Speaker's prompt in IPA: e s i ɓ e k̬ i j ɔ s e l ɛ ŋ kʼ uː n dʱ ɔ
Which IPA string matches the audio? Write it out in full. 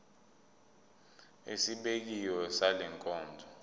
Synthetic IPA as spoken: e s i ɓ e k̬ i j ɔ s a l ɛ ŋ kʼ ɔː n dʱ ɔ